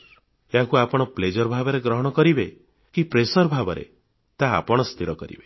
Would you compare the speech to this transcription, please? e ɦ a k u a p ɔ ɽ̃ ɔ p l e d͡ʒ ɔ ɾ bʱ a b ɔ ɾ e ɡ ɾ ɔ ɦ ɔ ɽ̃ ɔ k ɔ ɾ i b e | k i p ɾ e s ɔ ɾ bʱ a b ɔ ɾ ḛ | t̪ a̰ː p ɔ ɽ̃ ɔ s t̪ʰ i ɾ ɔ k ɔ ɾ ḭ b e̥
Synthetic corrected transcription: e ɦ a k u a p ɔ ɽ̃ ɔ p l e d͡ʒ ɔ ɾ bʱ a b ɔ ɾ e ɡ ɾ ɔ ɦ ɔ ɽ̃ ɔ k ɔ ɾ i b e | k i p ɾ e s ɔ ɾ bʱ a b ɔ ɾ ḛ | t̪ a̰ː p ɔ ɽ̃ ɔ s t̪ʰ i ɾ ɔ k ɔ ɾ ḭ b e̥